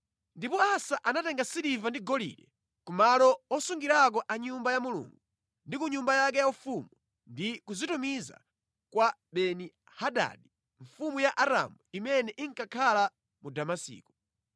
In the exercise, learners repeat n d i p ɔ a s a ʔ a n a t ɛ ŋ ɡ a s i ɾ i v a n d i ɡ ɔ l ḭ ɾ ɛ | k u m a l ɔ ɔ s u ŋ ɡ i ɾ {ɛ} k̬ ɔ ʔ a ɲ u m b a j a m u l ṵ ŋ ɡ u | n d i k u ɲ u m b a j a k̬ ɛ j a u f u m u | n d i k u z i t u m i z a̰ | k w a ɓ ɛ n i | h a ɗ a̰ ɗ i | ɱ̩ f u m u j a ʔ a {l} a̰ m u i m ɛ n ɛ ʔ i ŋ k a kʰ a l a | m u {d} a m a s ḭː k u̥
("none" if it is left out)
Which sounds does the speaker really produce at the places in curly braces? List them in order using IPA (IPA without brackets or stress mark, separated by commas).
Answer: a, ɾ, d